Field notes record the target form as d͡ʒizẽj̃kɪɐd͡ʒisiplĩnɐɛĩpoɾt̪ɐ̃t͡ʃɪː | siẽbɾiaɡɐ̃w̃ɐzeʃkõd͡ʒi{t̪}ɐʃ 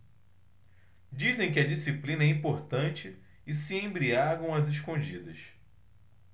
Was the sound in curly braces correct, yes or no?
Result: no